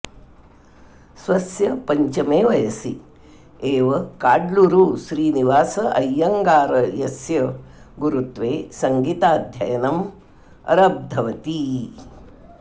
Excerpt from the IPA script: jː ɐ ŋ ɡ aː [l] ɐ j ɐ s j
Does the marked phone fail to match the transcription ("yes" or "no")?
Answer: yes